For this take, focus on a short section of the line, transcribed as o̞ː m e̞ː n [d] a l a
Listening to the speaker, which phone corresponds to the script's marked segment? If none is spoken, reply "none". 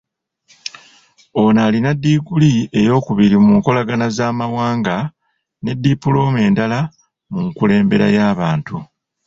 d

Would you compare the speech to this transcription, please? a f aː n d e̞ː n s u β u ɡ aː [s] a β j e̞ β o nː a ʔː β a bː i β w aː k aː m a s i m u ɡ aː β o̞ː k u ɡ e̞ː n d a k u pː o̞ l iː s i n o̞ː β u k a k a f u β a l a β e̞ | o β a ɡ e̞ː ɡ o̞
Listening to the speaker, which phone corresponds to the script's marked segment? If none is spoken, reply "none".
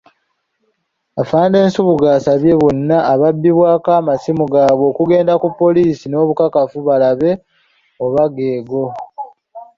s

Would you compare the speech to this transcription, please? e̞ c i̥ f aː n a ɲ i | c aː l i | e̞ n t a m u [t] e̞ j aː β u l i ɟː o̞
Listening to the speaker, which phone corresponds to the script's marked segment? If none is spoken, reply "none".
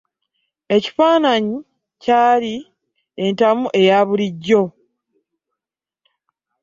ʔ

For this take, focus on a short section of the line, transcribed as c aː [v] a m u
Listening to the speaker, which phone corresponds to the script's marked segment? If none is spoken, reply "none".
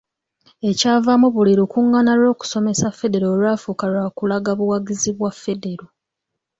v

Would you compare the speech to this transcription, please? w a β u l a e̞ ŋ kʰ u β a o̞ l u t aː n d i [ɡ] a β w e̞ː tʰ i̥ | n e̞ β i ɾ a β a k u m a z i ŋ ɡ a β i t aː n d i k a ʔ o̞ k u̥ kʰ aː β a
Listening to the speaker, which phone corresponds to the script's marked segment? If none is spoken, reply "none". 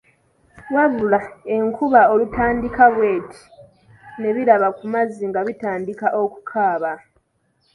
k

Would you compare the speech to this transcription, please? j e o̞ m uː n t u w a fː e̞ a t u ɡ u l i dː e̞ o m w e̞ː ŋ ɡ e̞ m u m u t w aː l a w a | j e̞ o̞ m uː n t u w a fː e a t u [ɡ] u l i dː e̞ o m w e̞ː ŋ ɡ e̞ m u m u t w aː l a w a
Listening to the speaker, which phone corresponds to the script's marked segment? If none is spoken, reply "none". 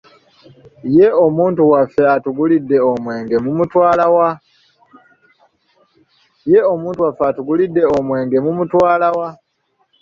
ɡ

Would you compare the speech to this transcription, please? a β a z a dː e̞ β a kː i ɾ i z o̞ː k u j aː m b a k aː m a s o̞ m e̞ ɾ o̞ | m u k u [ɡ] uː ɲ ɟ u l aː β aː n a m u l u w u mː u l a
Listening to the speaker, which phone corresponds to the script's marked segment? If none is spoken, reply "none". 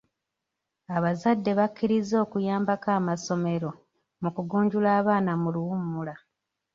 ɡ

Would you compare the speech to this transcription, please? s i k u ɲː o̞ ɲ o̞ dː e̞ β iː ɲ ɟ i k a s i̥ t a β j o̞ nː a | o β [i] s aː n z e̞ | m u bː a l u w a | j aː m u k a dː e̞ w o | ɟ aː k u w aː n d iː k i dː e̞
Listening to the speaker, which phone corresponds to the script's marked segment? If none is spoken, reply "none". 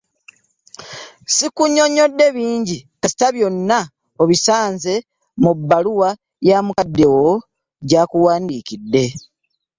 i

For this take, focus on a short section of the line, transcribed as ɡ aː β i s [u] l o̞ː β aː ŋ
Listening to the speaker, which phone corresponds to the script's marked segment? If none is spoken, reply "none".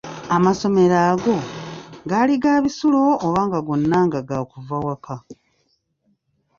u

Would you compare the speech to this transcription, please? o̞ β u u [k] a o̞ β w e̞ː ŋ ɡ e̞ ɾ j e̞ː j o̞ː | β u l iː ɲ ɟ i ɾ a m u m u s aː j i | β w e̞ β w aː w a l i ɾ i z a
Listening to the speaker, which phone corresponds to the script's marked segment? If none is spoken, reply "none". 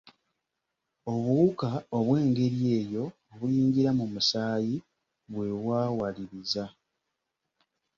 k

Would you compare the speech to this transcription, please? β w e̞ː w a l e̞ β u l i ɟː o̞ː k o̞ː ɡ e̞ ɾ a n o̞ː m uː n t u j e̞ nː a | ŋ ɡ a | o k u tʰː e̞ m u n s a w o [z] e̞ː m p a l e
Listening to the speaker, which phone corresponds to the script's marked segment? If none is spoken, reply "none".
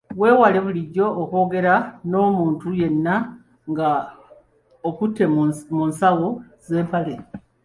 z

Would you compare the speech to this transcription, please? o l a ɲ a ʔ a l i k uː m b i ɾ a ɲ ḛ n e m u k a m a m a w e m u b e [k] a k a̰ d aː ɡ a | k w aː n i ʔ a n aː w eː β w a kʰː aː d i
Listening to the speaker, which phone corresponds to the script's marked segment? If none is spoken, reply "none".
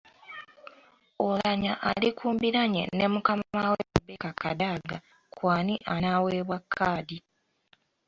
k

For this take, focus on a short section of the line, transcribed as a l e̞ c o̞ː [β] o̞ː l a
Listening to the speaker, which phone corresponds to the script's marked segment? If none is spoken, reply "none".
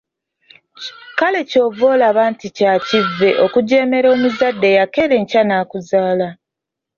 v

